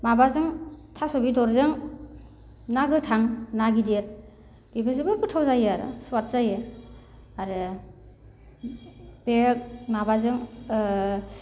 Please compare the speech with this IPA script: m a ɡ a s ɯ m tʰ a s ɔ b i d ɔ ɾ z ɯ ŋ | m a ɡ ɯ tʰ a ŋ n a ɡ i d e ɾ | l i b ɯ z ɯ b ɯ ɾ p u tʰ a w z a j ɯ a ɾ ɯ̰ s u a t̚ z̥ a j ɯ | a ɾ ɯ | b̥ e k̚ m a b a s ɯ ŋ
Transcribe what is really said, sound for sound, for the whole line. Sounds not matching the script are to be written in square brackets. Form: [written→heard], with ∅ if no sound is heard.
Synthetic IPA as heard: m a [ɡ→b] a [s→z] ɯ [m→ŋ] tʰ a s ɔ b i d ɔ ɾ z ɯ ŋ | [m→n] a ɡ ɯ tʰ a ŋ n a ɡ i d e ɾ | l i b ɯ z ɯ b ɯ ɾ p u tʰ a w z a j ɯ a ɾ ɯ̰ s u a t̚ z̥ a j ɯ | a ɾ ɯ | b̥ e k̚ m a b a [s→z] ɯ ŋ